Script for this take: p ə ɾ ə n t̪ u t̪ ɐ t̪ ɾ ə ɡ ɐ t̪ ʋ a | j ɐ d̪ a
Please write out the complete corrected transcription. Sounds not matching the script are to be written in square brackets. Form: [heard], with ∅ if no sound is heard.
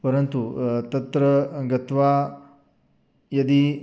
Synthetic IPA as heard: p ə ɾ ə n t̪ u t̪ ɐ t̪ ɾ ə ɡ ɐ t̪ ʋ a | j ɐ d̪ [i]